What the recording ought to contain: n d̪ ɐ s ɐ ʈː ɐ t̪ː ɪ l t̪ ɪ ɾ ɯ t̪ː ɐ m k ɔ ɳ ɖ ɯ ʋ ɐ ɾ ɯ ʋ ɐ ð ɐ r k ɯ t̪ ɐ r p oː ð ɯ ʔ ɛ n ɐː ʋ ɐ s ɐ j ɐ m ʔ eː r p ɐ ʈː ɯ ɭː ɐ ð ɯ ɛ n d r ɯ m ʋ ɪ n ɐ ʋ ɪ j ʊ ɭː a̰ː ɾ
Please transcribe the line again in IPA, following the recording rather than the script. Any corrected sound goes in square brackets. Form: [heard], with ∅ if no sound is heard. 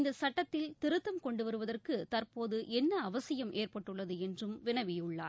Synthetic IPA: n d̪ ɐ s ɐ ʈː ɐ t̪ː ɪ l t̪ ɪ ɾ ɯ t̪ː ɐ m k ɔ ɳ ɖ ɯ ʋ ɐ ɾ ɯ ʋ ɐ ð ɐ r k ɯ t̪ ɐ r p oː ð ɯ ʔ ɛ [nː] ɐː ʋ ɐ s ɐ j ɐ m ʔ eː r p ɐ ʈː ɯ ɭː ɐ ð ɯ ɛ n d r ɯ m ʋ ɪ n ɐ ʋ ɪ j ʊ ɭː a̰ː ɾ

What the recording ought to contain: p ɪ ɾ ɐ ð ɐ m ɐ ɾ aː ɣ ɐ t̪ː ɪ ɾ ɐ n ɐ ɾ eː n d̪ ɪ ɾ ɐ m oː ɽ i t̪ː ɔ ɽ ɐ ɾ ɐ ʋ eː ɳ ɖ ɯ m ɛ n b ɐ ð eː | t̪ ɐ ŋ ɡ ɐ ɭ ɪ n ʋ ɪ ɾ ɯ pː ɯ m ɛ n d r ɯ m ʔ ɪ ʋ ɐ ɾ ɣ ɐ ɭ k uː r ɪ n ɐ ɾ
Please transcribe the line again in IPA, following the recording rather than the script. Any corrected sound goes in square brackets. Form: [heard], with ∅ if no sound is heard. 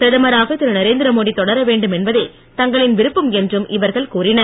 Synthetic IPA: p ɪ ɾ ɐ ð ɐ m ɐ ɾ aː ɣ ɐ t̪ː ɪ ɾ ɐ n ɐ ɾ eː n d̪ ɪ ɾ ɐ m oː ɽ i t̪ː ɔ ɽ ɐ ɾ ɐ ʋ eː ɳ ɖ ɯ m ɛ n b ɐ ð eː | t̪ ɐ ŋ ɡ ɐ ɭ ɪ n ʋ ɪ ɾ ɯ pː ɯ m ɛ n d r ɯ m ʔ ɪ ʋ ɐ ɾ ɣ ɐ ɭ k uː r ɪ n ɐ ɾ

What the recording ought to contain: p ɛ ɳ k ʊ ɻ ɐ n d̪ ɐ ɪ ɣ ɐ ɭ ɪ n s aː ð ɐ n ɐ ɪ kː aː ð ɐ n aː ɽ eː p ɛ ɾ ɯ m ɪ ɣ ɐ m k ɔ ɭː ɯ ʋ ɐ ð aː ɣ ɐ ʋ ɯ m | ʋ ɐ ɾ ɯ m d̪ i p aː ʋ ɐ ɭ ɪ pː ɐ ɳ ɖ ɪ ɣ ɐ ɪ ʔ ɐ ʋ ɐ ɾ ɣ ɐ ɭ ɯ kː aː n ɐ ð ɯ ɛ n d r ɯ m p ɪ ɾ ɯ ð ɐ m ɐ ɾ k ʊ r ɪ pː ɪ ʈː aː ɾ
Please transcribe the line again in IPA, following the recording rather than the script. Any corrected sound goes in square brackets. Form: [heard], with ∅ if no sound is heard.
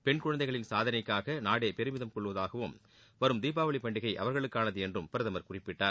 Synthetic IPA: p ɛ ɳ k ʊ ɻ ɐ n d̪ ɐ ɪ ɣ ɐ ɭ ɪ n s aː ð ɐ n ɐ ɪ kː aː [ɣ] ɐ n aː ɽ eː p ɛ ɾ ɯ m ɪ [ð] ɐ m k ɔ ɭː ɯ ʋ ɐ ð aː ɣ ɐ ʋ ɯ m | ʋ ɐ ɾ ɯ m d̪ [iː] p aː ʋ ɐ ɭ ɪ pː ɐ ɳ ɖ ɪ ɣ ɐ ɪ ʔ ɐ ʋ ɐ ɾ ɣ ɐ ɭ ɯ kː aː n ɐ ð ɯ ɛ n d r ɯ m p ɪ ɾ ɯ ð ɐ m ɐ ɾ k ʊ r ɪ pː ɪ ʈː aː ɾ

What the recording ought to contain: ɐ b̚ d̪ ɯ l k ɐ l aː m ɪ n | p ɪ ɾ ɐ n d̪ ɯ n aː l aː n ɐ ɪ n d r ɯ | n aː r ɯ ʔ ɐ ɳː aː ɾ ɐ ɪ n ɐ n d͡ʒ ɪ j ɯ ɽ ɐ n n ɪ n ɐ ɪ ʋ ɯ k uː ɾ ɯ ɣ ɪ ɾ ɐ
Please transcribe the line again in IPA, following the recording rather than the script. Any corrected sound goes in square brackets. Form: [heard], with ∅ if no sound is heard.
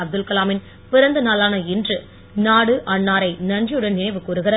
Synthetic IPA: ɐ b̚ d̪ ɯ l k ɐ l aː m ɪ n | p ɪ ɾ ɐ n d̪ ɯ n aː l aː n ɐ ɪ n d r ɯ | n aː [ɽ] ɯ ʔ ɐ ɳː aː ɾ ɐ ɪ n ɐ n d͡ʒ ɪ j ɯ ɽ ɐ n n ɪ n ɐ ɪ ʋ ɯ k uː ɾ ɯ ɣ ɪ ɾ ɐ

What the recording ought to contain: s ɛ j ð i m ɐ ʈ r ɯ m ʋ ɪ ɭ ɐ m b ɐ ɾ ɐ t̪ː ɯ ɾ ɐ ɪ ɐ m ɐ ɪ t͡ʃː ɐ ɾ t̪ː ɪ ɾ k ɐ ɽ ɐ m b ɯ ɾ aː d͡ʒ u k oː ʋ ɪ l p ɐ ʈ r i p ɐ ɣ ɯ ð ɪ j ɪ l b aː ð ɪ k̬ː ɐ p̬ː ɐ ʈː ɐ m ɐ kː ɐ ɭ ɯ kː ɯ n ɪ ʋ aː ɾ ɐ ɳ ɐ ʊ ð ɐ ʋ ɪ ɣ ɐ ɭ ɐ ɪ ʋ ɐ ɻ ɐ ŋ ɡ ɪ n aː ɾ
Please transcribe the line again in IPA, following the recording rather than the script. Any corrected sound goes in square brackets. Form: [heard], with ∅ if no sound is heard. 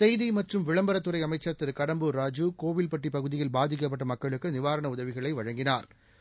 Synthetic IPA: s ɛ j ð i m ɐ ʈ r ɯ m ʋ ɪ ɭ ɐ m b ɐ ɾ ɐ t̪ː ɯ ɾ ɐ ɪ ɐ m ɐ ɪ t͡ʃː ɐ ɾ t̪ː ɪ ɾ k ɐ ɽ ɐ m b ɯ ɾ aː d͡ʒ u k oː ʋ ɪ l p ɐ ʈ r i p ɐ ɣ ɯ ð ɪ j ɪ l b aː ð ɪ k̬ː ɐ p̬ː ɐ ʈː ɐ m ɐ kː ɐ ɭ ɯ kː ɯ n ɪ ʋ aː ɾ ɐ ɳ ɐ ʊ ð ɐ ʋ ɪ ɣ ɐ ɭ ɐ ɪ ʋ ɐ ɻ ɐ ŋ ɡ ɪ n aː ɾ

